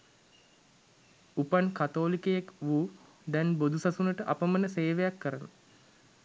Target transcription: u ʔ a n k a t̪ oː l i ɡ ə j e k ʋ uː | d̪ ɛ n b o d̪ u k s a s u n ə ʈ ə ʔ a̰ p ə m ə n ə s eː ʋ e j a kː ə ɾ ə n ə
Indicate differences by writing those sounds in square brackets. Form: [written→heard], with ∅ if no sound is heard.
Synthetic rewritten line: u [ʔ→p] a n k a t̪ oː l i [ɡ→k] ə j e k ʋ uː | d̪ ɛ n b o d̪ u [k→∅] s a s u n ə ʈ ə ʔ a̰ p ə m ə n ə s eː ʋ e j a kː ə ɾ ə n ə